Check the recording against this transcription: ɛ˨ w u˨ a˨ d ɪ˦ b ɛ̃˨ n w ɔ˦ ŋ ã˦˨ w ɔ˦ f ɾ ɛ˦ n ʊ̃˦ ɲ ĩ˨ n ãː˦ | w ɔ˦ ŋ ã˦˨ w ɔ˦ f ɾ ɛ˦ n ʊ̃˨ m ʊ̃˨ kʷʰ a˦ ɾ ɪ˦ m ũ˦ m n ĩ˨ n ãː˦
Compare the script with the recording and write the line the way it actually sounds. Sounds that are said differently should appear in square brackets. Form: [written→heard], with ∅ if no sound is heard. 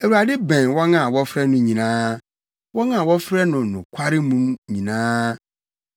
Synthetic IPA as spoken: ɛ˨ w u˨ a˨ d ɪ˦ b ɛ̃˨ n w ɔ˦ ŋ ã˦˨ w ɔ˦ f ɾ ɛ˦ n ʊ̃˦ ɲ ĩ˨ n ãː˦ | w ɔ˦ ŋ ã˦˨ w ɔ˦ f ɾ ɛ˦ n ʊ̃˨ [m→n] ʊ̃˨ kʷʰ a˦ ɾ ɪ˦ m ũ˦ m [n→ɲ] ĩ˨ n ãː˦